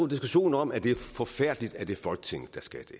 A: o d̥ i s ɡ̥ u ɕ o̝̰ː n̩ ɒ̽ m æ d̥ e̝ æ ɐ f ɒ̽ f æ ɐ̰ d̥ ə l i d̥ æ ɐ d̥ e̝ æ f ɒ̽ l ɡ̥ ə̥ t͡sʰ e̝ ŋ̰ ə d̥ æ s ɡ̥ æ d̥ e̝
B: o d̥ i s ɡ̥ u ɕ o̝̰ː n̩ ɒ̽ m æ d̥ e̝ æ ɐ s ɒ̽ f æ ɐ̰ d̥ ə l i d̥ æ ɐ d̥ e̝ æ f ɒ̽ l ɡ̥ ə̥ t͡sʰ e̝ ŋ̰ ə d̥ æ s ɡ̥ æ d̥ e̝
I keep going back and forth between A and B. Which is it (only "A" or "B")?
A